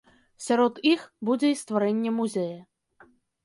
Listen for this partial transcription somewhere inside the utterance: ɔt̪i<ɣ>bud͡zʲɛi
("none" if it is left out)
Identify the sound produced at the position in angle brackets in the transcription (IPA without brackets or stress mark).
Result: x